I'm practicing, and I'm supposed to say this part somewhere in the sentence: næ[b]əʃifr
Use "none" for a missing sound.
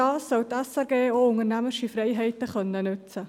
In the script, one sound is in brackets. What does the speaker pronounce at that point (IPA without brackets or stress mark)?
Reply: m